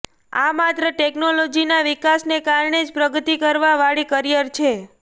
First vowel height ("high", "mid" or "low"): low